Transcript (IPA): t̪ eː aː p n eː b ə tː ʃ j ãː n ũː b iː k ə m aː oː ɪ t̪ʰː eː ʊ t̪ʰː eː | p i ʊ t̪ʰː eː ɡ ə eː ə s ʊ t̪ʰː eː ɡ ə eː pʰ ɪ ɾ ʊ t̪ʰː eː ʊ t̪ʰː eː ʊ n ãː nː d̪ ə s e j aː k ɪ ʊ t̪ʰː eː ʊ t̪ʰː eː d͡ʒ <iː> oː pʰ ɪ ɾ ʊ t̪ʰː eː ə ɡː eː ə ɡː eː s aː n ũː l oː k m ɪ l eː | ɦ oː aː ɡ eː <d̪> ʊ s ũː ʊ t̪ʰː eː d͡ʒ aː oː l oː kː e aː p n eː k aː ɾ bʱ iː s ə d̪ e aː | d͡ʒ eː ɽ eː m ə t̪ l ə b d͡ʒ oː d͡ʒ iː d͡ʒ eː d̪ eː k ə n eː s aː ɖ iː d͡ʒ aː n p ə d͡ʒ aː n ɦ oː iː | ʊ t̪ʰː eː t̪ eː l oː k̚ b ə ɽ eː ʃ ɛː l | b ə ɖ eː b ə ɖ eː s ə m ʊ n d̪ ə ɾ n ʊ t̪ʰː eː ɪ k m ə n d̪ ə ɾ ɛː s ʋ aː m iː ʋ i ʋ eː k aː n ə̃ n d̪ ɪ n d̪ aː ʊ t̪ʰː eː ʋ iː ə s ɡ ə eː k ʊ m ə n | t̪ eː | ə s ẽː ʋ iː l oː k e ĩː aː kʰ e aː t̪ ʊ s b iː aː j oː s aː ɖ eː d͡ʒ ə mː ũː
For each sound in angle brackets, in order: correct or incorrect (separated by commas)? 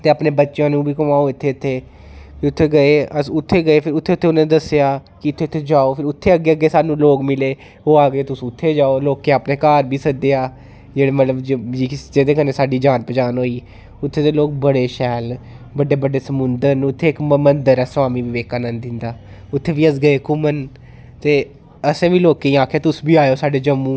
incorrect, incorrect